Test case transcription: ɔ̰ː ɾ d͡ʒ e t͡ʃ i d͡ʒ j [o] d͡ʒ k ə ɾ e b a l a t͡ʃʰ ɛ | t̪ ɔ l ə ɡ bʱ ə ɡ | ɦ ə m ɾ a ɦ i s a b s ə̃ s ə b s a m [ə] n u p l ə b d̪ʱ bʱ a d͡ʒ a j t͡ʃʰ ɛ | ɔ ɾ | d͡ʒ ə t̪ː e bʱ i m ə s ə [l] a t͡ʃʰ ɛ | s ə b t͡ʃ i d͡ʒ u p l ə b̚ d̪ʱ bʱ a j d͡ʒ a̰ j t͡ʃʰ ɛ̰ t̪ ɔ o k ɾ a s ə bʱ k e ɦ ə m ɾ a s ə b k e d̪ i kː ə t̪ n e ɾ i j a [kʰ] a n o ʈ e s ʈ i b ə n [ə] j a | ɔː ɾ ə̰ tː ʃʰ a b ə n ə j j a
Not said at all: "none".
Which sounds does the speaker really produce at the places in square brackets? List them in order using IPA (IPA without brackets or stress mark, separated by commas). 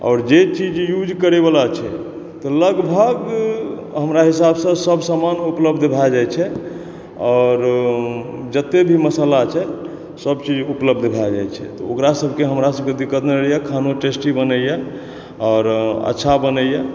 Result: u, a, l, kʰ, ə